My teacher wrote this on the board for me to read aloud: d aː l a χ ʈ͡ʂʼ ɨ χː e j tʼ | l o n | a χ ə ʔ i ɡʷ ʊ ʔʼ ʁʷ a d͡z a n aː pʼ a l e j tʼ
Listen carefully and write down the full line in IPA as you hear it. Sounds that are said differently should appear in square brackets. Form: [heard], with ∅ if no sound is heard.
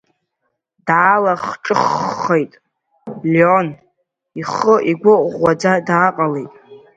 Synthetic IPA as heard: d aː l a χ ʈ͡ʂʼ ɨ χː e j tʼ | l o n | [i] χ ə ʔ i ɡʷ ʊ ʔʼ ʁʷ a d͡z a [d] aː [qʼ] a l e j tʼ

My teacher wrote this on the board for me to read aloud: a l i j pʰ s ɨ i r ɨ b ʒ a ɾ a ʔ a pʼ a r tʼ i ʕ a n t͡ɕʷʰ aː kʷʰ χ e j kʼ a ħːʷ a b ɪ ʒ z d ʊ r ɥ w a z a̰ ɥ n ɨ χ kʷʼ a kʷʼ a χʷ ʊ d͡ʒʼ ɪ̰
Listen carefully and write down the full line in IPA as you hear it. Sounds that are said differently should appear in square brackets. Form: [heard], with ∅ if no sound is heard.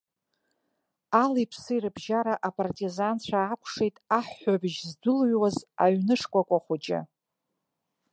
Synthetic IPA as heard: a l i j pʰ s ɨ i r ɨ b ʒ a ɾ a ʔ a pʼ a r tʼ i [z] a n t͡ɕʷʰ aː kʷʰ [ʂ] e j [tʼ] a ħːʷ a b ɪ ʒ z d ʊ [l] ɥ w a z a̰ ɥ n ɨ [ʂ] kʷʼ a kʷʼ a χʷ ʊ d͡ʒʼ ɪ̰

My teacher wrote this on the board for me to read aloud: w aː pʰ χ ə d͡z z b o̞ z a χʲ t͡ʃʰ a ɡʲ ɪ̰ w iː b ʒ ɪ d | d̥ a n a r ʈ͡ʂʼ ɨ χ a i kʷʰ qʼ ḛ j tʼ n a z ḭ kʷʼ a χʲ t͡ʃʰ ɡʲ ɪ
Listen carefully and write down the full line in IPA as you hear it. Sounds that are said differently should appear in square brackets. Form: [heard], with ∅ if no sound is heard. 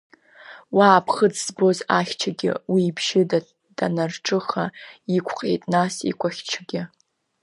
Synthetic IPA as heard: w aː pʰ χ ə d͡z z b o̞ z a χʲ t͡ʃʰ a ɡʲ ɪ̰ w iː b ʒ ɪ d | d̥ a n a r ʈ͡ʂʼ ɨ χ a i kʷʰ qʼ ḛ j tʼ n a [s] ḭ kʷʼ a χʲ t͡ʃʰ ɡʲ ɪ

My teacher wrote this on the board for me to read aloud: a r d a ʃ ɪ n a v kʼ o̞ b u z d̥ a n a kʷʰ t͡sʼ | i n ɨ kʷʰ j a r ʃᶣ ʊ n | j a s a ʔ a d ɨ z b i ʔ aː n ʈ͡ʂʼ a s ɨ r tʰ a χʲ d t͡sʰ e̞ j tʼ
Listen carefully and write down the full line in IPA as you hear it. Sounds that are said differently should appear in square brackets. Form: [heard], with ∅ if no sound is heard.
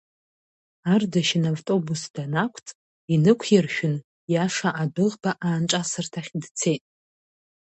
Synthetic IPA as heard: a r d a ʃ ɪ n a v [tʼ] o̞ b u [s] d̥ a n a kʷʰ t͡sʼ | i n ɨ kʷʰ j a r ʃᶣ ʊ n | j a [ʂ] a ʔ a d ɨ [ʁ] b [a] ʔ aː n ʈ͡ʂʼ a s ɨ r tʰ a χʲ d t͡sʰ e̞ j tʼ

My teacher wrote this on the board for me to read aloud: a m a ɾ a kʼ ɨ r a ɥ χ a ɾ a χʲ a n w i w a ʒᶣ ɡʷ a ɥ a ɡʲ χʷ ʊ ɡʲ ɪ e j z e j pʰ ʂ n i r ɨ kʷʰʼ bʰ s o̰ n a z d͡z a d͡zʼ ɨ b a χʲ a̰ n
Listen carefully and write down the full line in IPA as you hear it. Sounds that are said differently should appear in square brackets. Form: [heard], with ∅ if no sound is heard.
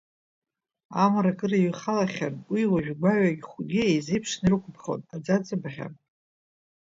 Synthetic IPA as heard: a m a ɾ a kʼ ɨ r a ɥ χ a [l] a χʲ a n w i w a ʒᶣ ɡʷ a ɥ a ɡʲ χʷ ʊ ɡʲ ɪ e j z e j pʰ ʂ n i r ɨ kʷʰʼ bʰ [χ] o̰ n a [∅] d͡z a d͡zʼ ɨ b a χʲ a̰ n

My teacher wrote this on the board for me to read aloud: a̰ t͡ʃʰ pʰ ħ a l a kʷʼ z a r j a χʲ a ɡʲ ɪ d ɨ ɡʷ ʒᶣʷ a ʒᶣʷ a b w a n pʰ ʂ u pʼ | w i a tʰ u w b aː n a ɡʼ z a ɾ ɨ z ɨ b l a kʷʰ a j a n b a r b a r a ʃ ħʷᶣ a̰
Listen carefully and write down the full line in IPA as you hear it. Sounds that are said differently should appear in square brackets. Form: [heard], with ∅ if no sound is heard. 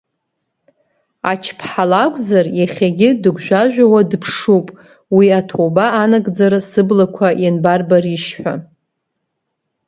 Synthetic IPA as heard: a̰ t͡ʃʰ pʰ ħ a l a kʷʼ z a r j a χʲ a ɡʲ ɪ d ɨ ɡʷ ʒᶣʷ a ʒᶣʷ a [∅] w a [d] pʰ ʂ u pʼ | w i a tʰ [o] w b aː n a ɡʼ [d͡z] a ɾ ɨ [s] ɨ b l a kʷʰ a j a n b a r b a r [i] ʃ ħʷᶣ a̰

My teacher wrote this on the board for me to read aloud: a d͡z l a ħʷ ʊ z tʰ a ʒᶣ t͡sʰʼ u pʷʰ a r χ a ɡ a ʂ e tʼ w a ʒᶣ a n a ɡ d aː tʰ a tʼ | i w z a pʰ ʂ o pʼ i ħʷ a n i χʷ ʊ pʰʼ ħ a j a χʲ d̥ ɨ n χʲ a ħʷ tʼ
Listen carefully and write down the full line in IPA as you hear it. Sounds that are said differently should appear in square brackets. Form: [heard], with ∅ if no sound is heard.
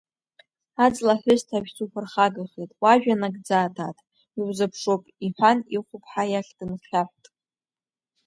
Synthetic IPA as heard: a d͡z l a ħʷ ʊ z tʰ a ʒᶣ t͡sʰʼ u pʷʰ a r χ a ɡ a [χ] e tʼ w a ʒᶣ a n a ɡ [d͡z] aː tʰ a tʼ | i w z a pʰ ʂ o pʼ i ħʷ a n i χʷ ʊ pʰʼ ħ a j a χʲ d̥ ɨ n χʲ a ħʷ tʼ

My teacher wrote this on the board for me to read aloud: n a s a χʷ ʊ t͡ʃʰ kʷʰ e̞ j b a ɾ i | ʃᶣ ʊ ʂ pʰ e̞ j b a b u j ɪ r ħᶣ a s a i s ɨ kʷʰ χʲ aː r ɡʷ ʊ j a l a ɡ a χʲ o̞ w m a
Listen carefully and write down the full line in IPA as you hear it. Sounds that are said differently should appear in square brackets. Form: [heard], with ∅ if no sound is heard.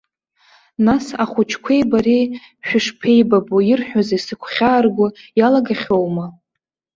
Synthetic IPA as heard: n a s a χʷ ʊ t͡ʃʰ kʷʰ e̞ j b a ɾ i | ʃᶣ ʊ ʂ pʰ e̞ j b a b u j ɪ r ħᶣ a [z] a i s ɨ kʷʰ χʲ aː r ɡʷ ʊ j a l a ɡ a χʲ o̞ w m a

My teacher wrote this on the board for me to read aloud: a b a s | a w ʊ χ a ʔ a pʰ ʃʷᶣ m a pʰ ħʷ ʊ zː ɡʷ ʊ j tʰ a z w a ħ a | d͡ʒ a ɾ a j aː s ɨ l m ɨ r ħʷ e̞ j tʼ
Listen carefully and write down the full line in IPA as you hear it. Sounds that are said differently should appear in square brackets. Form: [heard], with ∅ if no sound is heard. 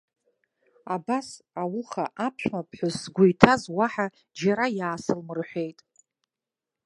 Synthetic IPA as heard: a b a s | a w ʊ χ a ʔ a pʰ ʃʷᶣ m a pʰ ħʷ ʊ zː ɡʷ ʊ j tʰ a z w a ħ a | d͡ʒ a ɾ a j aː s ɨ l m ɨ r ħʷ e̞ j tʼ

